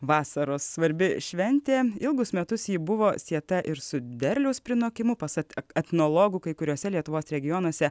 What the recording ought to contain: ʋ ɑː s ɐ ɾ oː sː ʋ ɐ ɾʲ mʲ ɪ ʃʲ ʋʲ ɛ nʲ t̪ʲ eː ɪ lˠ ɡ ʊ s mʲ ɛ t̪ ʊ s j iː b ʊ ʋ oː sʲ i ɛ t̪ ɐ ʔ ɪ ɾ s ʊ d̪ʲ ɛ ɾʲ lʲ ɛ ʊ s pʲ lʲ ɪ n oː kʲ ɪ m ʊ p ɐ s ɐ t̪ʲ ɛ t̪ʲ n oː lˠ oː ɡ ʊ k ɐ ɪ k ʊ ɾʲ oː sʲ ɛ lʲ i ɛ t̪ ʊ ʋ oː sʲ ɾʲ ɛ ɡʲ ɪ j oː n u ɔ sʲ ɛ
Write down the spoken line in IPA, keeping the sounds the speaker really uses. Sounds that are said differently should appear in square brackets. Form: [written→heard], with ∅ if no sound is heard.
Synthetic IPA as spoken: ʋ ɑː s ɐ ɾ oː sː ʋ ɐ ɾʲ [mʲ→bʲ] ɪ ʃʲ ʋʲ ɛ nʲ t̪ʲ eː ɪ lˠ ɡ ʊ s mʲ ɛ t̪ ʊ s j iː b ʊ ʋ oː sʲ i ɛ t̪ ɐ ʔ ɪ ɾ s ʊ d̪ʲ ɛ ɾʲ lʲ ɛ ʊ s pʲ [lʲ→ɾʲ] ɪ n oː kʲ ɪ m ʊ p ɐ s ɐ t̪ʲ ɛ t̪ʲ n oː lˠ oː ɡ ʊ k ɐ ɪ k ʊ ɾʲ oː sʲ ɛ lʲ i ɛ t̪ ʊ ʋ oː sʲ ɾʲ ɛ ɡʲ ɪ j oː n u ɔ sʲ ɛ

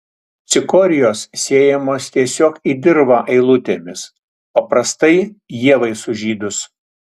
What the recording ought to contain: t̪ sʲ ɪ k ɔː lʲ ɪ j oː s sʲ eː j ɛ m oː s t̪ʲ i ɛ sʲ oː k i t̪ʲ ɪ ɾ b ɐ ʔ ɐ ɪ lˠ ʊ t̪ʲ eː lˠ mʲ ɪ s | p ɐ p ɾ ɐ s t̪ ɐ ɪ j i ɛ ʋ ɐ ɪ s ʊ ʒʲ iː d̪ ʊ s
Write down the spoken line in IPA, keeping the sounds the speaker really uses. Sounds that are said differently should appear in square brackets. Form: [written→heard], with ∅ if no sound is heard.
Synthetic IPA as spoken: t̪ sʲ ɪ k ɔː [lʲ→ɾʲ] ɪ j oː s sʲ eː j ɛ m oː s t̪ʲ i ɛ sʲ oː k i [t̪ʲ→d̪ʲ] ɪ ɾ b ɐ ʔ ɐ ɪ lˠ ʊ t̪ʲ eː [lˠ→∅] mʲ ɪ s | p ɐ p ɾ ɐ s t̪ ɐ ɪ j i ɛ ʋ ɐ ɪ s ʊ ʒʲ iː d̪ ʊ s

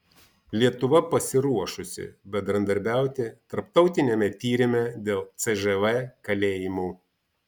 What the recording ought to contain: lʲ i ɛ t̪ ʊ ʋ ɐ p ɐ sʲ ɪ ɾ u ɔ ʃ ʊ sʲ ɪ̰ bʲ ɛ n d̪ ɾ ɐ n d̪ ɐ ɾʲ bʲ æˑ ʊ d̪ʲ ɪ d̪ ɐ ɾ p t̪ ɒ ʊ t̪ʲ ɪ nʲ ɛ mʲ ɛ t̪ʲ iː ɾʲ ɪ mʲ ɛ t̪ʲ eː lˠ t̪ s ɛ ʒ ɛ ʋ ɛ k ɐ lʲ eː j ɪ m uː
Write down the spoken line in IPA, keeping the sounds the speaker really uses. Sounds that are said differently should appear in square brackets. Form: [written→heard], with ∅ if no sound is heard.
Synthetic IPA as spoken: lʲ i ɛ t̪ ʊ ʋ ɐ p ɐ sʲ ɪ ɾ u ɔ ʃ ʊ sʲ ɪ̰ bʲ ɛ n d̪ ɾ ɐ n d̪ ɐ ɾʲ bʲ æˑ ʊ [d̪ʲ→t̪ʲ] ɪ [d̪→t̪] ɐ ɾ p t̪ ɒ ʊ t̪ʲ ɪ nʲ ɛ mʲ ɛ t̪ʲ iː ɾʲ ɪ mʲ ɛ [t̪ʲ→d̪ʲ] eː lˠ t̪ s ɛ ʒ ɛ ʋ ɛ k ɐ lʲ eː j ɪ m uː

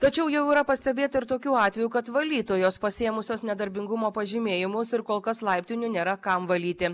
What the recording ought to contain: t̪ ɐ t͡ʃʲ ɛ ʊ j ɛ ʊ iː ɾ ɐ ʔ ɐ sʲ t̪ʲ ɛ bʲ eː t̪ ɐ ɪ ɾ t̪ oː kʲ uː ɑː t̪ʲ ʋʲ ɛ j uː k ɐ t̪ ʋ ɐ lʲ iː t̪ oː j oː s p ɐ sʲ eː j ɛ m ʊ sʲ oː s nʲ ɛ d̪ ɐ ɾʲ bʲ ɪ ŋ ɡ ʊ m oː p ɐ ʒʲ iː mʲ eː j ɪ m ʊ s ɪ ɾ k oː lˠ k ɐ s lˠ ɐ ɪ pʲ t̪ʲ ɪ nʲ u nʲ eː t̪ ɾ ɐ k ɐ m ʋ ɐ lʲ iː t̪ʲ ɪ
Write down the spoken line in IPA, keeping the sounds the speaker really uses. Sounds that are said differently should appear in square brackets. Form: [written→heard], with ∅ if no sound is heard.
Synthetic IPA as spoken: t̪ ɐ t͡ʃʲ ɛ ʊ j ɛ ʊ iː ɾ ɐ [ʔ→p] ɐ sʲ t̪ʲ ɛ bʲ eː t̪ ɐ ɪ ɾ t̪ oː kʲ uː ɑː t̪ʲ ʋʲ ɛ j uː k ɐ t̪ ʋ ɐ lʲ iː t̪ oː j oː s p ɐ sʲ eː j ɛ m ʊ sʲ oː s nʲ ɛ d̪ ɐ ɾʲ bʲ ɪ ŋ ɡ ʊ m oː p ɐ ʒʲ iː mʲ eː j ɪ m ʊ s ɪ ɾ k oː lˠ k ɐ s lˠ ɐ ɪ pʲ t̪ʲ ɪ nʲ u nʲ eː [t̪→∅] ɾ ɐ k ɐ m ʋ ɐ lʲ iː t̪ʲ ɪ

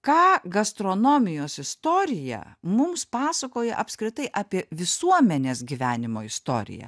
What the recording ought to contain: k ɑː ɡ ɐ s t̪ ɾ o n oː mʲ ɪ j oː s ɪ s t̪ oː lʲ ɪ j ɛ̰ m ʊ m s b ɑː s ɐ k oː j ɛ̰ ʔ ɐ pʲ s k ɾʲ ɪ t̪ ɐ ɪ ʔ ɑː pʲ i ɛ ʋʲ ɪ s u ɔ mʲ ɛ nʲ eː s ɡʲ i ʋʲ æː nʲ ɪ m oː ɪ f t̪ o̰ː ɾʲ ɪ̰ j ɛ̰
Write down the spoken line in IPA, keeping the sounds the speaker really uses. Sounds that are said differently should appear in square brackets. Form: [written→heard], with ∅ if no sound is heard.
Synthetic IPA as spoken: k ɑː ɡ ɐ s t̪ ɾ o n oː mʲ ɪ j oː s ɪ s t̪ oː [lʲ→ɾʲ] ɪ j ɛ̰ m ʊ m s [b→p] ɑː s ɐ k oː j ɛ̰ ʔ ɐ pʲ s k ɾʲ ɪ t̪ ɐ ɪ ʔ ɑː pʲ i ɛ ʋʲ ɪ s u ɔ mʲ ɛ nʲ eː s ɡʲ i ʋʲ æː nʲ ɪ m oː ɪ [f→s] t̪ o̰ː ɾʲ ɪ̰ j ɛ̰

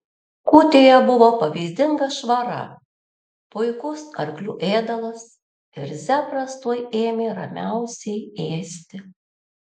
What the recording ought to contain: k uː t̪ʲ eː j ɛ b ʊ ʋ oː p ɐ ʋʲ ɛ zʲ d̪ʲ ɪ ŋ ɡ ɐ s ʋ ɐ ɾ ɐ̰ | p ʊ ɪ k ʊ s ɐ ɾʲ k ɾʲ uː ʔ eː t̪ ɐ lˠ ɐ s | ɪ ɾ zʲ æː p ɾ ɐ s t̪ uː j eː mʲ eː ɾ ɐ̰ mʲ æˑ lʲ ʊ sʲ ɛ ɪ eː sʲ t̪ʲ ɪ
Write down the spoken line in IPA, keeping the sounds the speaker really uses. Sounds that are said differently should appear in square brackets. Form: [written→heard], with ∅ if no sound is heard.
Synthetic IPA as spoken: k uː t̪ʲ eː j ɛ b ʊ ʋ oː p ɐ ʋʲ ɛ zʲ d̪ʲ ɪ ŋ ɡ ɐ [s→ʃ] ʋ ɐ ɾ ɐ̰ | p ʊ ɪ k ʊ s ɐ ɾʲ k [ɾʲ→lʲ] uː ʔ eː [t̪→d̪] ɐ lˠ ɐ s | ɪ ɾ zʲ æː p ɾ ɐ s t̪ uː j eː mʲ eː ɾ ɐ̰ mʲ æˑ [lʲ→∅] ʊ sʲ ɛ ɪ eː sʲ t̪ʲ ɪ

